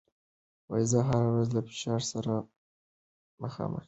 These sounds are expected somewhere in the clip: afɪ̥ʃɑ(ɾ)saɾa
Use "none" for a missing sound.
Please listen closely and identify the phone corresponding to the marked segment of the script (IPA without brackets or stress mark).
ɾ